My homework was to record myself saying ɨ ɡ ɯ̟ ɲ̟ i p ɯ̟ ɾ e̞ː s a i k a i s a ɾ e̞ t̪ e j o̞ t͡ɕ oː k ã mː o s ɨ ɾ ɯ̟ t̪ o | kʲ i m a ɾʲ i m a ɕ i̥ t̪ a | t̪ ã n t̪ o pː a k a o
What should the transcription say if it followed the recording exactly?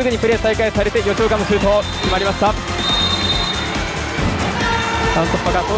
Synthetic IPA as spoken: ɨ ɡ ɯ̟ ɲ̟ i p ɯ̟ ɾ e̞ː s a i k a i s a ɾ e̞ t̪ e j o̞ t͡ɕ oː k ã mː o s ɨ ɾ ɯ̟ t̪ o | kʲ i m a ɾʲ i m a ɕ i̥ t̪ a | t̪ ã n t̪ o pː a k a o